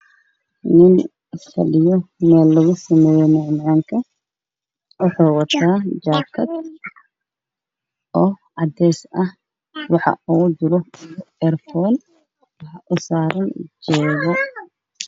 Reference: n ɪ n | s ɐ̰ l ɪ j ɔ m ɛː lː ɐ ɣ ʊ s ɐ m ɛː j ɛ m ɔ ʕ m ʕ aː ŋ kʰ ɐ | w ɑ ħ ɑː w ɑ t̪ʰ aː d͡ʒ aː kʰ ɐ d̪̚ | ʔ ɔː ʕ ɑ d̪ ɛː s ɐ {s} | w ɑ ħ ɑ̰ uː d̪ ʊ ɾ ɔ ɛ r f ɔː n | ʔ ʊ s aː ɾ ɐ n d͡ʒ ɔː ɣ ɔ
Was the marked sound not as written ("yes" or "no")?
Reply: yes